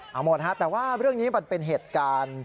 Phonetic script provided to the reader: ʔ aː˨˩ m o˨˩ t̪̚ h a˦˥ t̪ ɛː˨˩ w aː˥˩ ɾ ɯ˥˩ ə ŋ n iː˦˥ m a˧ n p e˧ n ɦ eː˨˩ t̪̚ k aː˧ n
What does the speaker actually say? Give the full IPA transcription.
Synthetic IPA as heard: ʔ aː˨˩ m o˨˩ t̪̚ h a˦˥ t̪ ɛː˨˩ w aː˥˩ ɾ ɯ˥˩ ə ŋ n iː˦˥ m a˧ n p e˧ n ɦ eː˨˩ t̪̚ k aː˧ n